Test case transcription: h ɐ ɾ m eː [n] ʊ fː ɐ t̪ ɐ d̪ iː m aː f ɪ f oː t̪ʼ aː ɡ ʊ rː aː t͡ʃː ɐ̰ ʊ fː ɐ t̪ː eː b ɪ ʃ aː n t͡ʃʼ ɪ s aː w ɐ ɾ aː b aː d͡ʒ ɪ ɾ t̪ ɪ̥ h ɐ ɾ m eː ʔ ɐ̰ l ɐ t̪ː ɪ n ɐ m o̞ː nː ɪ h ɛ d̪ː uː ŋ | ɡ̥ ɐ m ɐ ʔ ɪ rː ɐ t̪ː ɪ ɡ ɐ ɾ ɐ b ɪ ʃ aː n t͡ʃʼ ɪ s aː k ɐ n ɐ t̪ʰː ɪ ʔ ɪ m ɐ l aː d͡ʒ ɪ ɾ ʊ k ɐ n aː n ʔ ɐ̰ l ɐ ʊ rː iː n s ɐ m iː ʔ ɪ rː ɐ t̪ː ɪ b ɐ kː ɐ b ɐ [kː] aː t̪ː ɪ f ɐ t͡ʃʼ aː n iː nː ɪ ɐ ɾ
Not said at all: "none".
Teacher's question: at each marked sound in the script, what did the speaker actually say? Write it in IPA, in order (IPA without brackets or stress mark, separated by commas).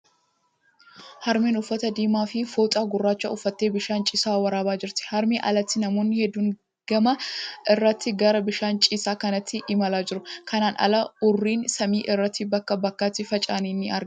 n, kː